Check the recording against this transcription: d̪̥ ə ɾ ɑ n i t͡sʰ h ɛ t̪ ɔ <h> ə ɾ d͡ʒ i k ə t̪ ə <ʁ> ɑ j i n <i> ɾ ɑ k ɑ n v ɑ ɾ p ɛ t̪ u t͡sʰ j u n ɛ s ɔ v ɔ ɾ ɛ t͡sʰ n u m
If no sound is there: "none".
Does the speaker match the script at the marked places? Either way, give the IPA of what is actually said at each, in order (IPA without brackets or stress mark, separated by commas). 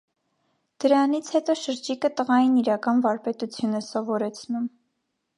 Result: ʃ, ʁ, i